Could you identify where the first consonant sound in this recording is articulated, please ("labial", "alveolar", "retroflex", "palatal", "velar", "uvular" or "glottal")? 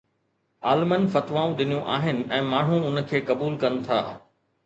alveolar